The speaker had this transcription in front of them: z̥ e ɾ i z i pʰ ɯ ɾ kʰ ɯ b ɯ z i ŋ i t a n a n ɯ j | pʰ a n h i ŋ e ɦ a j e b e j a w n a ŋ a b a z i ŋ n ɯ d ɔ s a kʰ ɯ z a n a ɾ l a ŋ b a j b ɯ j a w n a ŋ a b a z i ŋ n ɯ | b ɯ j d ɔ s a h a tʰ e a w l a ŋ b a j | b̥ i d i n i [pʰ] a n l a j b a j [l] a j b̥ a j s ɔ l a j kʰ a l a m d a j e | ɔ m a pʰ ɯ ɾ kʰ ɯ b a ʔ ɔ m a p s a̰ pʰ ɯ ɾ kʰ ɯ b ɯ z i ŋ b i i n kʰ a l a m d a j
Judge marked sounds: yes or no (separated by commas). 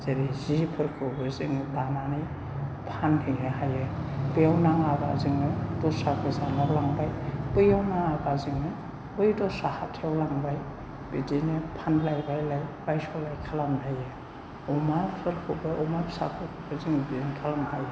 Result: yes, yes